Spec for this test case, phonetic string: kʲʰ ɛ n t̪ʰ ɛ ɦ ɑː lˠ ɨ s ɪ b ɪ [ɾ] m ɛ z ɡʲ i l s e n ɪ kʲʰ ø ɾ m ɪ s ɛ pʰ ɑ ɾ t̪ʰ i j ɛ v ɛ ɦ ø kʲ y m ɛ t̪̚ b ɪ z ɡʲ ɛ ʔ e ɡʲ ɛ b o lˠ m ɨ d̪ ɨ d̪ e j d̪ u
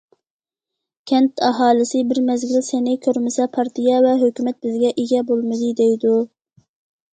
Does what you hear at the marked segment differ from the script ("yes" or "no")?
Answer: no